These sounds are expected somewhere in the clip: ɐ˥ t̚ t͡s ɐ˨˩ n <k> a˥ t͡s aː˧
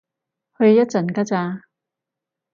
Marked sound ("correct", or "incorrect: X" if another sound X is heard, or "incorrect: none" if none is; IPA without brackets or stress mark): correct